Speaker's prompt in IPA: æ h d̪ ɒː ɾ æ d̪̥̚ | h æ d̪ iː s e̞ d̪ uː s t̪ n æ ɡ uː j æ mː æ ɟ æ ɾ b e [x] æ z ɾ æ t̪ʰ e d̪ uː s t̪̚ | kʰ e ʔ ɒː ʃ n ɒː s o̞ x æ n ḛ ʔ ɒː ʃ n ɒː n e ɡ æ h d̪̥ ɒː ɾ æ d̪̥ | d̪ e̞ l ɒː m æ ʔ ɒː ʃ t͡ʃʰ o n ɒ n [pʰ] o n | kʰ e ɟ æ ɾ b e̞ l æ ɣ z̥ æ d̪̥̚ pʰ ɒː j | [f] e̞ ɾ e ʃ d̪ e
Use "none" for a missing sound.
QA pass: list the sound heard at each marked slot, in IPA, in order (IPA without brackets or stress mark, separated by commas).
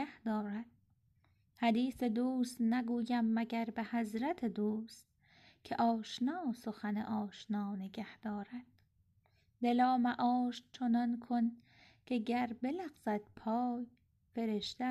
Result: h, kʰ, f